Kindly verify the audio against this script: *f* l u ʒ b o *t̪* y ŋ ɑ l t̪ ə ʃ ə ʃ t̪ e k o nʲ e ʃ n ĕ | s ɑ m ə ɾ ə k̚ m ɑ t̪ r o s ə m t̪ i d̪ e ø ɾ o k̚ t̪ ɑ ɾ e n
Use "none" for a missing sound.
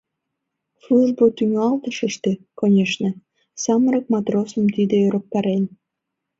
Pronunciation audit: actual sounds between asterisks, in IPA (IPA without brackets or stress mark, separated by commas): f, t̪